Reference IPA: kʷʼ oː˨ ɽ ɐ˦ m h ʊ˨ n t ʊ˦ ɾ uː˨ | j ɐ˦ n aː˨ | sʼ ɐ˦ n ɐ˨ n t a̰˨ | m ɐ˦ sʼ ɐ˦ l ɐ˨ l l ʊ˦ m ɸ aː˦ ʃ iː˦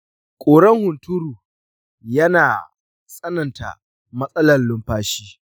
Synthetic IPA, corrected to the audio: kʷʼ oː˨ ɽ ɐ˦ ŋ h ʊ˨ n t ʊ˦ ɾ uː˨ | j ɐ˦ n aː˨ | sʼ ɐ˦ n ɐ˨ n t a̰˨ | m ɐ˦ sʼ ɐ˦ l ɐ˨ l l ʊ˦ m ɸ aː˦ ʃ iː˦